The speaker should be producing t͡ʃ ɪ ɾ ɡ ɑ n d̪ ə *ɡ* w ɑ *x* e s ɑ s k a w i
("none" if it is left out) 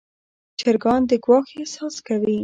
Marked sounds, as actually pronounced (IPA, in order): ɡ, x

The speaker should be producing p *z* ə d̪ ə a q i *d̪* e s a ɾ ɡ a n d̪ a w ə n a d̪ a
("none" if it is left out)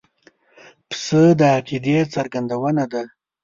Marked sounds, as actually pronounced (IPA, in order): s, d̪

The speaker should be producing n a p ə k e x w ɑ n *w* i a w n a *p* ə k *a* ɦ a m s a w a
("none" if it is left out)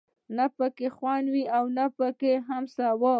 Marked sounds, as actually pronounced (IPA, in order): w, p, e

